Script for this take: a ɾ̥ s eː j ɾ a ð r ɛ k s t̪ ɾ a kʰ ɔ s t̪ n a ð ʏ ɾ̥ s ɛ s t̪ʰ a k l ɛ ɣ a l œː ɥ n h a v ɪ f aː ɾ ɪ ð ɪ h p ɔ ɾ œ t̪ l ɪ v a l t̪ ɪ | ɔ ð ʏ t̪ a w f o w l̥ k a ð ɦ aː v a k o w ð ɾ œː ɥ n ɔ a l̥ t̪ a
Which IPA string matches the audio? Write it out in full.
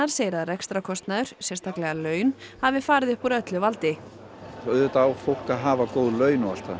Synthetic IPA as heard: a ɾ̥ s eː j ɾ a ð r ɛ k s t̪ ɾ a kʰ ɔ s t̪ n a ð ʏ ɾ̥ s ɛ s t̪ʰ a k l ɛ ɣ a l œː ɥ n h a v ɪ f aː ɾ ɪ ð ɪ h p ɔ ɾ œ t̪ l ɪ v a l t̪ ɪ | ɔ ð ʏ t̪ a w f o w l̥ k a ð ɦ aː v a k o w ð l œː ɥ n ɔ a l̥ t̪ a